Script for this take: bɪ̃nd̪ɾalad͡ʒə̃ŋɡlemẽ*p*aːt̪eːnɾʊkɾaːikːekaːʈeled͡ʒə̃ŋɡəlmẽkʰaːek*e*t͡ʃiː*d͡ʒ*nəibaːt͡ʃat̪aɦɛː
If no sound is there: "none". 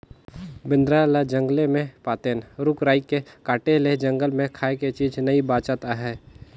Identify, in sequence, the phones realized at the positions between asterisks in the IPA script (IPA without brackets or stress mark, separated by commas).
p, e, d͡ʒ